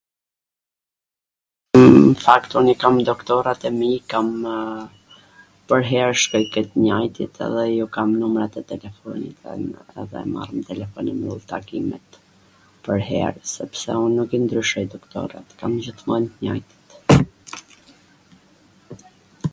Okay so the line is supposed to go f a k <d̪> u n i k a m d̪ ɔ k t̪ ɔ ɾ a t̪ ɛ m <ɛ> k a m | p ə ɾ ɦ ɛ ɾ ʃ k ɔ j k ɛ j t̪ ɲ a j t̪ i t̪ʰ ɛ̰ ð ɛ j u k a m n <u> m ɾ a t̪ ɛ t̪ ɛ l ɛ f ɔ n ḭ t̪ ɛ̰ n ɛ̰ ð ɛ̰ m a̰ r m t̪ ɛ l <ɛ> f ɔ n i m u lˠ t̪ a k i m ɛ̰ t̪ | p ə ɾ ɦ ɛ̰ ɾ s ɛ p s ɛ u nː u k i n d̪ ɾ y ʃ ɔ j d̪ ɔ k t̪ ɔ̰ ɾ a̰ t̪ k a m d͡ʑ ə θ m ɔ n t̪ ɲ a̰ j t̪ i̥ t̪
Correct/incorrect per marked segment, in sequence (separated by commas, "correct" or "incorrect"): incorrect, incorrect, correct, correct